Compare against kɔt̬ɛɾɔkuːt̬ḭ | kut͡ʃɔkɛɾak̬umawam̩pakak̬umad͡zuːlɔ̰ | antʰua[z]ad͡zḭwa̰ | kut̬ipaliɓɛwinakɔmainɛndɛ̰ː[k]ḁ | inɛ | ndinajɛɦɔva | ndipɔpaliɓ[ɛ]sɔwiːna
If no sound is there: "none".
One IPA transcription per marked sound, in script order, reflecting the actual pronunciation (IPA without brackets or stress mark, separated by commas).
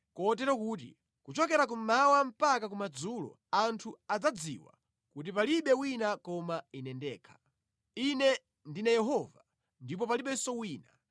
d͡z, kʰ, ɛ